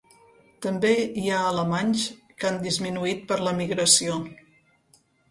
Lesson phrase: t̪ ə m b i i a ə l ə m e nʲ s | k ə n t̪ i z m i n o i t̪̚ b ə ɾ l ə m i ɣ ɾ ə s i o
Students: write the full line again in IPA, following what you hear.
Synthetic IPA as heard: t̪ ə m b e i a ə l ə m a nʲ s | k a n d̪ i z m i n u i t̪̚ p ə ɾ l ə m i ɣ ɾ ə s i o